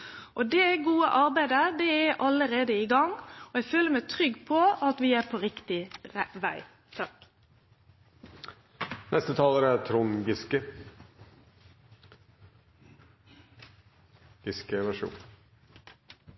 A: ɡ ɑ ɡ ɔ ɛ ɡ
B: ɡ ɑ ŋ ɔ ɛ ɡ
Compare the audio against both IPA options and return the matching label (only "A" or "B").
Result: B